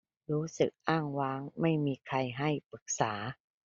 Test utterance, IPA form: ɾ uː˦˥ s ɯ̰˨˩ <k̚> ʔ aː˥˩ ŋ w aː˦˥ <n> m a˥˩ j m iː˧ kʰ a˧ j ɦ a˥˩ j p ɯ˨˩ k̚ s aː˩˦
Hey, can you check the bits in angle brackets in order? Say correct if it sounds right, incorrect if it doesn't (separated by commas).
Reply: correct, incorrect